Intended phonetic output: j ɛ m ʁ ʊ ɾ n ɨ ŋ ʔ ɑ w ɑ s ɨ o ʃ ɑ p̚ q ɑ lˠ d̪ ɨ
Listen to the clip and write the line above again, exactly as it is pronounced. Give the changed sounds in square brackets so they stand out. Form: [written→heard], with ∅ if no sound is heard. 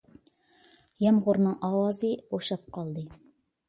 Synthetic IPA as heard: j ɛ m ʁ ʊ ɾ n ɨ ŋ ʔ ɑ w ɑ [s→z] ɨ o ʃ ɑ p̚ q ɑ lˠ d̪ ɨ